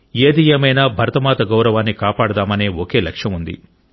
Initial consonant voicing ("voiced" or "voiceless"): voiced